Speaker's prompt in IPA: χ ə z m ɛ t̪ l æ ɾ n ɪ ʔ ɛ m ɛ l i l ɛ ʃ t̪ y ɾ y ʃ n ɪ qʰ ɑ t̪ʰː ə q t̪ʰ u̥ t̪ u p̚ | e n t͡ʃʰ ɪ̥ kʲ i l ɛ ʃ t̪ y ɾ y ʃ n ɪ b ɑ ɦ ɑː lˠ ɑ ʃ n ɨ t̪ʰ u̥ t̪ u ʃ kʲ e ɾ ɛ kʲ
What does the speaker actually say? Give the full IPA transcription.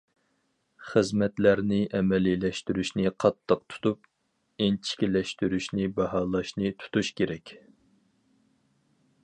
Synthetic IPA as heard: χ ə z m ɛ t̪ l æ ɾ n ɪ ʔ ɛ m ɛ l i l ɛ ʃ t̪ y ɾ y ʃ n ɪ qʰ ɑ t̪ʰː ə q t̪ʰ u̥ t̪ u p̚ | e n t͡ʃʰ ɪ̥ kʲ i l ɛ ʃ t̪ y ɾ y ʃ n ɪ b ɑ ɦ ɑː lˠ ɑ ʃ n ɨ t̪ʰ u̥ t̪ u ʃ kʲ e ɾ ɛ kʲ

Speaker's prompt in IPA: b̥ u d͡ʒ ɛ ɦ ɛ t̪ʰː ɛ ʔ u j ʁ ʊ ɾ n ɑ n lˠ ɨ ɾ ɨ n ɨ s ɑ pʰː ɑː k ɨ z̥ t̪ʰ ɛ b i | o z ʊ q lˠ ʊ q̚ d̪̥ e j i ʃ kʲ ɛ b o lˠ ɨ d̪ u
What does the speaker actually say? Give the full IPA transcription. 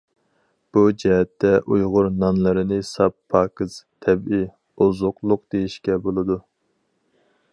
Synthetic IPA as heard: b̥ u d͡ʒ ɛ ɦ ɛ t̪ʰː ɛ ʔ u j ʁ ʊ ɾ n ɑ n lˠ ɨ ɾ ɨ n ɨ s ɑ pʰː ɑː k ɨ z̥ t̪ʰ ɛ b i | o z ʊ q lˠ ʊ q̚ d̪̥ e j i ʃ kʲ ɛ b o lˠ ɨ d̪ u

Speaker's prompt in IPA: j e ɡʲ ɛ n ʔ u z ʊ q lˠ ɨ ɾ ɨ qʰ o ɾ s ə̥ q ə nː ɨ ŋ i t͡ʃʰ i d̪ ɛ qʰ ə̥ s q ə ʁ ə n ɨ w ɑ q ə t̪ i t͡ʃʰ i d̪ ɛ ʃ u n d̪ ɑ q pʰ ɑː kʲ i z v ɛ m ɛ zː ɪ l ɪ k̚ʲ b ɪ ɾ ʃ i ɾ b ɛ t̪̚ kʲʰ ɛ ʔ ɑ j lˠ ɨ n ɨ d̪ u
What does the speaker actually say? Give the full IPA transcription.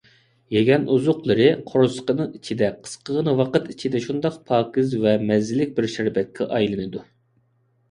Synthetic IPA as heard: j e ɡʲ ɛ n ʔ u z ʊ q lˠ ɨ ɾ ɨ qʰ o ɾ s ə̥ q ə n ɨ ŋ i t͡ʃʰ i d̪ ɛ qʰ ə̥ s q ə ʁ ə n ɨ w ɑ q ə t̪ i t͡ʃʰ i d̪ ɛ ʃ u n d̪ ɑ q pʰ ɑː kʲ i z v ɛ m ɛ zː ɪ l ɪ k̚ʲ b ɪ ɾ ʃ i ɾ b ɛ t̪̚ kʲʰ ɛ ʔ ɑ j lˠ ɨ n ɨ d̪ u

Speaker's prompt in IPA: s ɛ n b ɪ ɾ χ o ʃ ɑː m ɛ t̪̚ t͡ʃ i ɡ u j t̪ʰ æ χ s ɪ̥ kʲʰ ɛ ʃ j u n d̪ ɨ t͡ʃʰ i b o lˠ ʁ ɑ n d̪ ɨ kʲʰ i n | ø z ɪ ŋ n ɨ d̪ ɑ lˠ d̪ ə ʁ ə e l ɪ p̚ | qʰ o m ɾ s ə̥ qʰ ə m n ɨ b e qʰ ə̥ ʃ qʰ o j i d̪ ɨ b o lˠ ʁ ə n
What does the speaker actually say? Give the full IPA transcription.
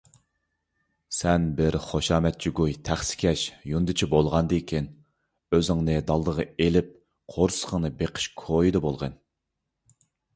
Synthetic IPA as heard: s ɛ n b ɪ ɾ χ o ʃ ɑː m ɛ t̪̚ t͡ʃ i ɡ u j t̪ʰ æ χ s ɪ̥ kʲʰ ɛ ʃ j u n d̪ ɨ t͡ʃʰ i b o lˠ ʁ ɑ n d̪ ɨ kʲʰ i n | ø z ɪ ŋ n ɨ d̪ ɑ lˠ d̪ ə ʁ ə e l ɪ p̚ | qʰ o ɾ s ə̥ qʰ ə ŋ n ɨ b e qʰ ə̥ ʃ kʰ o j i d̪ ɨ b o lˠ ʁ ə n

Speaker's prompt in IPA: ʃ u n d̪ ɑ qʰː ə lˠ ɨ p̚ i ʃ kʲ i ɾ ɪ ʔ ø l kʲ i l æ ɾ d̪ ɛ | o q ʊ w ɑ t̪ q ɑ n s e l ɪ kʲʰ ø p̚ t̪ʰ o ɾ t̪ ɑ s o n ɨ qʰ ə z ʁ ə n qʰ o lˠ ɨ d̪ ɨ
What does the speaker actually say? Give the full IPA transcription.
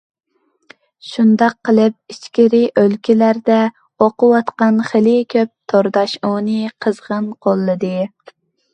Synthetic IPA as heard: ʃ u n d̪ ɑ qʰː ə lˠ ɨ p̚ i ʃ kʲ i ɾ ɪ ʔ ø l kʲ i l æ ɾ d̪ ɛ | o q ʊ w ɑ t̪ q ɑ n χ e l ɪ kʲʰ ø p̚ t̪ʰ o ɾ d̪ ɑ ʃ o n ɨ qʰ ə z ʁ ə n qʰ o lˠː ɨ d̪ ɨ

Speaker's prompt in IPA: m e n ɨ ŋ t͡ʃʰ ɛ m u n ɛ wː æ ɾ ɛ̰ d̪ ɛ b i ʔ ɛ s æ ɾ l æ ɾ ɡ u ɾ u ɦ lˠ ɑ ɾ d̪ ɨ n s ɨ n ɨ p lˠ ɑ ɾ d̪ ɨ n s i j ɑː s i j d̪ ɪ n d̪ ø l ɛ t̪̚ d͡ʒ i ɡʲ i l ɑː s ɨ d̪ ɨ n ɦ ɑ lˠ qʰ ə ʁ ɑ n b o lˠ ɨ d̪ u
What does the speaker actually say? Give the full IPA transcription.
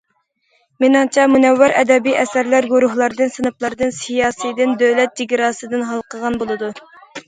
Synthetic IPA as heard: m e n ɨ ŋ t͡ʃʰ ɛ m u n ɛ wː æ ɾ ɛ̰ d̪ ɛ b i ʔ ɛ s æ ɾ l æ ɾ ɡ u ɾ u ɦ lˠ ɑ ɾ d̪ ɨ n s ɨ n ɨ p lˠ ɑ ɾ d̪ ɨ n s i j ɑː s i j d̪ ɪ n d̪ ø l ɛ t̪̚ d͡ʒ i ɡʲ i ɾ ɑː s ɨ d̪ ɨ n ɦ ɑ lˠ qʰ ə ʁ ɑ n b o lˠ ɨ d̪ u

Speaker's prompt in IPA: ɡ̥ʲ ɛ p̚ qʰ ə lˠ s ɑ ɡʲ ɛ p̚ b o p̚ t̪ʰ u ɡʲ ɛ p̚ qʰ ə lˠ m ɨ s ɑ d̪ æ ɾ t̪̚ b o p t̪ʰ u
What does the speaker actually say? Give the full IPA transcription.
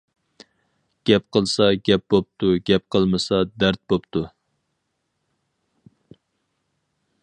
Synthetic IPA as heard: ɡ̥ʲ ɛ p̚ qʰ ə lˠ s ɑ ɡʲ ɛ p̚ b o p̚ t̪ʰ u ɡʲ ɛ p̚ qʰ ə lˠ m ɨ s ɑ d̪ æ ɾ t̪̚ b o p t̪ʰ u

